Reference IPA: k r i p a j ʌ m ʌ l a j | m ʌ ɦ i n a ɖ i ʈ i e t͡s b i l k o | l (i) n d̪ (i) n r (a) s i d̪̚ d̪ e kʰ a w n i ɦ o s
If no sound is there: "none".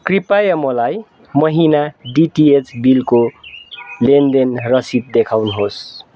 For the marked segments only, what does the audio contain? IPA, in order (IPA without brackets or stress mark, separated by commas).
e, e, ʌ